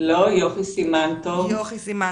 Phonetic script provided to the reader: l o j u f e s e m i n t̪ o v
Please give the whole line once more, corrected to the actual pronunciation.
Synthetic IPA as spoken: l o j o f i s i m a n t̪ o v